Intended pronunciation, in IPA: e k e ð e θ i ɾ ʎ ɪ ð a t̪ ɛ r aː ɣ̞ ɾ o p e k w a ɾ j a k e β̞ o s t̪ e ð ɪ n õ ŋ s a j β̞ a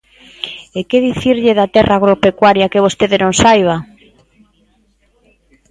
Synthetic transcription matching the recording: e k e ð i θ i ɾ ʎ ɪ ð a t̪ ɛ r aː ɣ̞ ɾ o p e k w a ɾ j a k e β̞ o s t̪ e ð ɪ n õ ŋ s a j β̞ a